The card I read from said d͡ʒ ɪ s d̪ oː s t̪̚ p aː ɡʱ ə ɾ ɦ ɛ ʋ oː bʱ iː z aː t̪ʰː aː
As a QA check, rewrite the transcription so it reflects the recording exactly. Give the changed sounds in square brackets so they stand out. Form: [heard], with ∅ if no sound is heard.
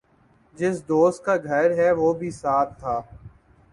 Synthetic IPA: d͡ʒ ɪ s d̪ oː s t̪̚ [k] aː ɡʱ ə ɾ ɦ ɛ ʋ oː bʱ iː [s] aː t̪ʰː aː